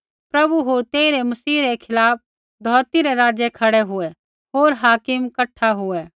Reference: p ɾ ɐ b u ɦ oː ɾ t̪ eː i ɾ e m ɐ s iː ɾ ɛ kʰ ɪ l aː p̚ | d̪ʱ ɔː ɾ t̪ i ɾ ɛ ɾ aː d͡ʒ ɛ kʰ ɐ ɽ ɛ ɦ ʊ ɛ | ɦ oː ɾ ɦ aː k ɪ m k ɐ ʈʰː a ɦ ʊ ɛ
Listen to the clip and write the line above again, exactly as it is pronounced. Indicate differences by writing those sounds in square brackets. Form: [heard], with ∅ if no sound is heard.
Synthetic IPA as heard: p ɾ ɐ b u ɦ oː ɾ t̪ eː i ɾ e m ɐ s iː ɾ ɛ kʰ ɪ l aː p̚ | d̪ʱ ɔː ɾ t̪ i ɾ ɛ ɾ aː d͡ʒ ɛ kʰ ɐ ɽ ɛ ɦ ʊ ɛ | ɦ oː ɾ ɦ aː k ɪ m k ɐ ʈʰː a ɦ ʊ ɛ